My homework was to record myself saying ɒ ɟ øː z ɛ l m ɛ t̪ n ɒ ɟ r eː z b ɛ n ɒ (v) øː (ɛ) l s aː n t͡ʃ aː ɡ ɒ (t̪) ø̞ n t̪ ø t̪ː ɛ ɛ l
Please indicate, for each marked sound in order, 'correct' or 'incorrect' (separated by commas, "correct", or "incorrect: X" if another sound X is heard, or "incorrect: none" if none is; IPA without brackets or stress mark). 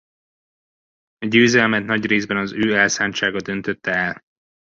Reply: incorrect: z, correct, incorrect: d̪